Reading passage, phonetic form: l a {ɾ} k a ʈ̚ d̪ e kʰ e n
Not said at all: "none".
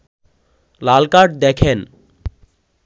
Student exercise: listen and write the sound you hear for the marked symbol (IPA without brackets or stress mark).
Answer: l